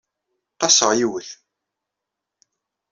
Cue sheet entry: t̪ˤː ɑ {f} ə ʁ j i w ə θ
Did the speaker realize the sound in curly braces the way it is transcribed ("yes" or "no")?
no